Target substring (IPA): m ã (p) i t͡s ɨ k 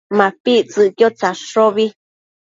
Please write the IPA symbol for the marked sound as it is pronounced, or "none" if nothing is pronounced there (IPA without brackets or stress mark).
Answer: p